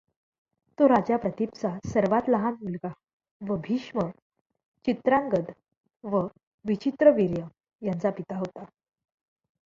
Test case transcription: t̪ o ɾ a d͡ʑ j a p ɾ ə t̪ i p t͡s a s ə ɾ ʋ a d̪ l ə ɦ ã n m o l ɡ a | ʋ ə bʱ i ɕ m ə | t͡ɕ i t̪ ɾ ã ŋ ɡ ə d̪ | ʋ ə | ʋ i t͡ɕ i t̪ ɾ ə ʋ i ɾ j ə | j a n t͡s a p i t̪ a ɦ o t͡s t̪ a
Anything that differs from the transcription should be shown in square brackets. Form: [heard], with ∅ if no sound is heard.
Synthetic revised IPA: t̪ o ɾ a d͡ʑ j a p ɾ ə t̪ i p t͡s a s ə ɾ ʋ a [t̪] l ə ɦ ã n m [u] l ɡ a | ʋ ə bʱ i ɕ m ə | t͡ɕ i t̪ ɾ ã ŋ ɡ ə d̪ | ʋ ə | ʋ i t͡ɕ i t̪ ɾ ə ʋ i ɾ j ə | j a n t͡s a p i t̪ a ɦ o [∅] t̪ a